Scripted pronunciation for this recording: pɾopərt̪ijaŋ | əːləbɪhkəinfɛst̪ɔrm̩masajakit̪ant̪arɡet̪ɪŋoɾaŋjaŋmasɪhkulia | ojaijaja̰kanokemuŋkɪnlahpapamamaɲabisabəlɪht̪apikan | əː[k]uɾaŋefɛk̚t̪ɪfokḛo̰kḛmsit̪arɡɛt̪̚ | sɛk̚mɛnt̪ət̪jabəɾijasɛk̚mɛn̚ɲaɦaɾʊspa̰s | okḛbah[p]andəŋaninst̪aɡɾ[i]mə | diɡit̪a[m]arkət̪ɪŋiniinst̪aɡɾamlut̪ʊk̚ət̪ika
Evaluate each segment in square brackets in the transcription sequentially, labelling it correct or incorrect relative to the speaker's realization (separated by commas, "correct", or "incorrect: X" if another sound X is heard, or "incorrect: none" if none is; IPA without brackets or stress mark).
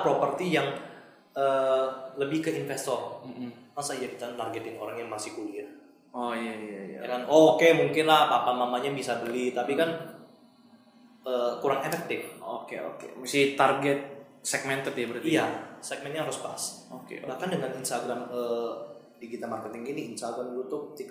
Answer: correct, incorrect: k, incorrect: a, correct